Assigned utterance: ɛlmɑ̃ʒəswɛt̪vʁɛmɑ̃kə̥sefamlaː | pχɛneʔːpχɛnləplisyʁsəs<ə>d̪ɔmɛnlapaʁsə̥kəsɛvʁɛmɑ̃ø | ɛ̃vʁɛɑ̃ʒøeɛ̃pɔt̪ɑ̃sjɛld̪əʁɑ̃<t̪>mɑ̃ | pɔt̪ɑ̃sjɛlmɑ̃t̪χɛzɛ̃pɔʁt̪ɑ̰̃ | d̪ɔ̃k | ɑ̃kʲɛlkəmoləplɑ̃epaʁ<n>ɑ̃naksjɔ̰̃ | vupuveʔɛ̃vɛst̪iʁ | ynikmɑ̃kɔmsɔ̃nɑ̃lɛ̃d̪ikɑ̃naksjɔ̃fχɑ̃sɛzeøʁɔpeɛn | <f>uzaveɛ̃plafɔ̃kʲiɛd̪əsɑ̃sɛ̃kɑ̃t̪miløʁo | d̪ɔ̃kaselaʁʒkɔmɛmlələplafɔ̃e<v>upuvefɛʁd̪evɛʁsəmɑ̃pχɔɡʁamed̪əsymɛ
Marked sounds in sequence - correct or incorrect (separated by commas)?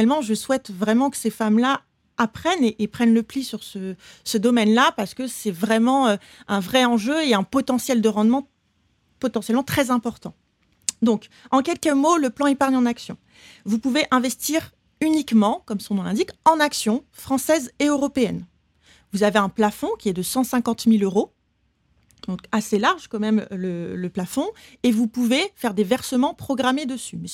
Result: correct, incorrect, incorrect, incorrect, correct